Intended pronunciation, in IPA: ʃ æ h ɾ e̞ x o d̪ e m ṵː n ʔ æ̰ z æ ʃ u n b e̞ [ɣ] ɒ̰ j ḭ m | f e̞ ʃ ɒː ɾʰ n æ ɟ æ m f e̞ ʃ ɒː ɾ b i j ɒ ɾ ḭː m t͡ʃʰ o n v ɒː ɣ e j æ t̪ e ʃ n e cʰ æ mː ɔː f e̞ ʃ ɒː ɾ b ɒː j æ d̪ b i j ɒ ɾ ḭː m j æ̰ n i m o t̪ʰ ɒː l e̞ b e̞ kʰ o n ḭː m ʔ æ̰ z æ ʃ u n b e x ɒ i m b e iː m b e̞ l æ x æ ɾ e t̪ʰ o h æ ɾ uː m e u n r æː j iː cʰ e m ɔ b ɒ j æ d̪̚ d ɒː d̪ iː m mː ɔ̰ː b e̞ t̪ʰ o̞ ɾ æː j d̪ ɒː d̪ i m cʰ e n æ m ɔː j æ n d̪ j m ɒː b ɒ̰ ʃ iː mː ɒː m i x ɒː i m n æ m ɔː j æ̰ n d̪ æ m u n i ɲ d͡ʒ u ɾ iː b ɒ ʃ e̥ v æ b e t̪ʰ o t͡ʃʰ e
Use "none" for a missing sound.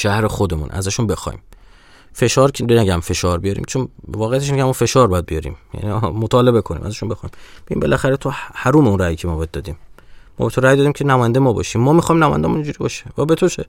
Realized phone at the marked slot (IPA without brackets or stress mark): x